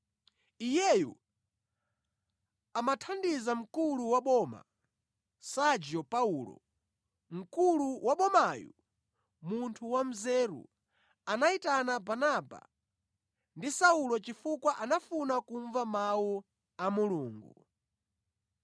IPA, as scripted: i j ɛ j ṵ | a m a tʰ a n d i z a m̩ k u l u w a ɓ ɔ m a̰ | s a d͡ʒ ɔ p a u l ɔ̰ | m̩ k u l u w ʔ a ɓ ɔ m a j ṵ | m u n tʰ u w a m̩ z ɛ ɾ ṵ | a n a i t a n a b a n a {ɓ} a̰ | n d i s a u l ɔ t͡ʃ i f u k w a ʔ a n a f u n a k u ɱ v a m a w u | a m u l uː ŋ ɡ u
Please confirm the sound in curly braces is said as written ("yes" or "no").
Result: no